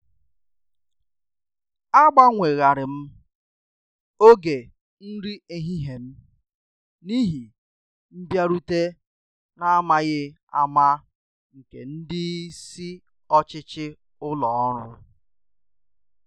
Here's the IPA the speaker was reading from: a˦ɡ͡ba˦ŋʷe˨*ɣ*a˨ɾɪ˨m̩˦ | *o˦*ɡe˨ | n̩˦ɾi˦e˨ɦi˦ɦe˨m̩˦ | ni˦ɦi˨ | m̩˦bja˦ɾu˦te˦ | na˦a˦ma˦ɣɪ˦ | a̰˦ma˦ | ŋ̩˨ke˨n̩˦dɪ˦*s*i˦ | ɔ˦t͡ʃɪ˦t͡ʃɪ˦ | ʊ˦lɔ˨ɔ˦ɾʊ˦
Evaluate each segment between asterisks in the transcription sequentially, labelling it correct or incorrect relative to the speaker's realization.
correct, correct, correct

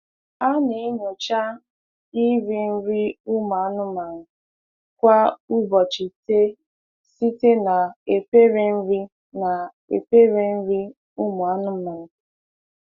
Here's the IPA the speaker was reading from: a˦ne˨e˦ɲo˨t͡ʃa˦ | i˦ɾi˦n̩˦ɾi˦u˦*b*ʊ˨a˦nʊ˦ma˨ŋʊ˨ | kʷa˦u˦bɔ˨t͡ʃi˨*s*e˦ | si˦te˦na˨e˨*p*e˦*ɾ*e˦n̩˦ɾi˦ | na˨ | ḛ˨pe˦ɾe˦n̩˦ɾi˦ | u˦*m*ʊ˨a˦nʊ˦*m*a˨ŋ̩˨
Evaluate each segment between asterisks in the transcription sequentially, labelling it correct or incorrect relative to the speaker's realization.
incorrect: m, incorrect: t, correct, correct, correct, correct

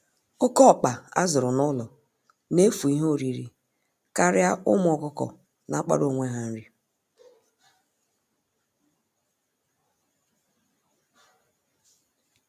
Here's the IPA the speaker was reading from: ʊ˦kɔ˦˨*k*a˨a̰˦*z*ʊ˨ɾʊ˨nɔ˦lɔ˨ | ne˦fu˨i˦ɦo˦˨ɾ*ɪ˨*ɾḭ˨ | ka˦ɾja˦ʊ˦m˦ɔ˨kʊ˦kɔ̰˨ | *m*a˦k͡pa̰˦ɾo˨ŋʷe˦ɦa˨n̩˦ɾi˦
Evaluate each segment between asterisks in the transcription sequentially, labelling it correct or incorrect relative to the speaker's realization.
incorrect: k͡p, correct, incorrect: i˨, incorrect: n

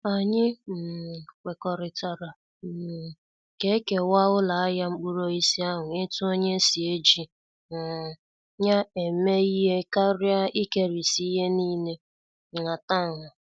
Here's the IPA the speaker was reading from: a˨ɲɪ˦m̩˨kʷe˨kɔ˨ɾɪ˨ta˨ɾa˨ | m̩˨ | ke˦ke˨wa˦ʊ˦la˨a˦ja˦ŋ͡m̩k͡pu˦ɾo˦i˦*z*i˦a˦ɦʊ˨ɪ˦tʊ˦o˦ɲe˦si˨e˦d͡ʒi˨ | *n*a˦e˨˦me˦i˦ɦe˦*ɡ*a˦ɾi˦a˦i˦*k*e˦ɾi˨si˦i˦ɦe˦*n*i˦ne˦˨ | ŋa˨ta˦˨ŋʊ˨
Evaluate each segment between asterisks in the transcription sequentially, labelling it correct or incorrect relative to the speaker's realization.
incorrect: s, incorrect: ɲ, incorrect: k, correct, correct

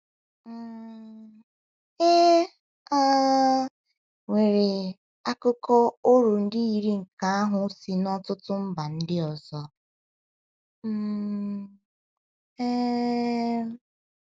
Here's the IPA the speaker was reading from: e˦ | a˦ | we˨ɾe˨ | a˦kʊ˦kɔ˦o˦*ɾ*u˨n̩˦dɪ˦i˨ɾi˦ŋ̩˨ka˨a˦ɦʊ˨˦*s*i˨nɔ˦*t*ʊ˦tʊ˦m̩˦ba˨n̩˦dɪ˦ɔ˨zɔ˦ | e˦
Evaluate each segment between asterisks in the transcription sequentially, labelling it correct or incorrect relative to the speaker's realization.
correct, correct, correct

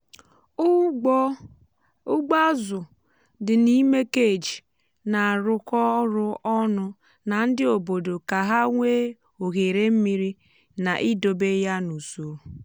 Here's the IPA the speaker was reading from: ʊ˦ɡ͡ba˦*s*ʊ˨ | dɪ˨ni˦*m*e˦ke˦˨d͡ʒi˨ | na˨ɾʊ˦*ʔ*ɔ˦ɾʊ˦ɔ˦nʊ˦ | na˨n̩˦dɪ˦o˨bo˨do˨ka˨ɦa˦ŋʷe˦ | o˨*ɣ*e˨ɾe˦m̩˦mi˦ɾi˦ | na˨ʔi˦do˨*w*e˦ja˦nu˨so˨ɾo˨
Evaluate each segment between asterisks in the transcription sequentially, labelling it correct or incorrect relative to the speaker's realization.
incorrect: z, correct, incorrect: k, correct, incorrect: b

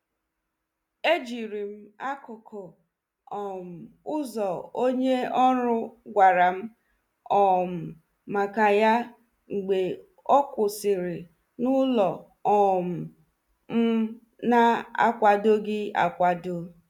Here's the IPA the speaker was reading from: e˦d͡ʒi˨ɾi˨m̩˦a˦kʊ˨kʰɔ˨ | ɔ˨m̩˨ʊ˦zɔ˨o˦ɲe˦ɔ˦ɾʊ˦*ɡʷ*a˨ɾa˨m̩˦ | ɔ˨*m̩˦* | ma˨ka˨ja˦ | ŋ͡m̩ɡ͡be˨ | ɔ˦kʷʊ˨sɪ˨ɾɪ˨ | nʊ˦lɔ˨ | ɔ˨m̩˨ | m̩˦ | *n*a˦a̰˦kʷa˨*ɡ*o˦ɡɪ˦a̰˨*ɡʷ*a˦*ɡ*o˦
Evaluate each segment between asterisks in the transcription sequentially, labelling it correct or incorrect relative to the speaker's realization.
correct, incorrect: m̩˨, correct, incorrect: d, incorrect: kʷ, incorrect: d

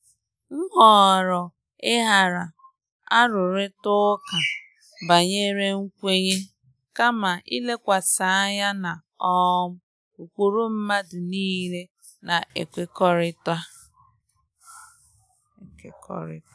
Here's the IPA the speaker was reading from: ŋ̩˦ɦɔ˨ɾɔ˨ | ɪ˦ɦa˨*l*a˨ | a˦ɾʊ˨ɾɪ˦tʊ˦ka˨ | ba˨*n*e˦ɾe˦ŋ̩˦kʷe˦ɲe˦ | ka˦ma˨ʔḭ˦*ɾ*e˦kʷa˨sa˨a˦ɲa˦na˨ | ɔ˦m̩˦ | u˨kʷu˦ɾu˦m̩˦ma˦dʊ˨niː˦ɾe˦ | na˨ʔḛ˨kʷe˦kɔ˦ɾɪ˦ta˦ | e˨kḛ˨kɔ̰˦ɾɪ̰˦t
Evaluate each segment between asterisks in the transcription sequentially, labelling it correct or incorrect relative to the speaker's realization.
incorrect: ɾ, incorrect: ɲ, incorrect: l

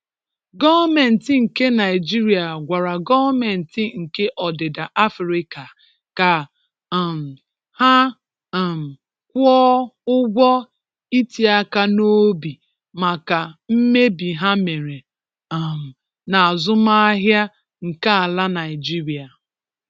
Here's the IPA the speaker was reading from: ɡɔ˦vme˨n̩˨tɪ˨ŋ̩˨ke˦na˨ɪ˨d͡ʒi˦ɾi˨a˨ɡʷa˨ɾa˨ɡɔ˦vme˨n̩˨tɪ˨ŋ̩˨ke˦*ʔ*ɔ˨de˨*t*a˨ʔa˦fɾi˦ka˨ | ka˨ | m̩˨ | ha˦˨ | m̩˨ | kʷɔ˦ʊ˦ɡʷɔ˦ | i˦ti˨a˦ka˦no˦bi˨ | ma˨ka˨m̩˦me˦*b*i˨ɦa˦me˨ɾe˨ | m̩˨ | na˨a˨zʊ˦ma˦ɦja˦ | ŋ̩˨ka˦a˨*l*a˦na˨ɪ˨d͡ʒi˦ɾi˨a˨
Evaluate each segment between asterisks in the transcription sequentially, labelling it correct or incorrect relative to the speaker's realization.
correct, incorrect: d, correct, correct

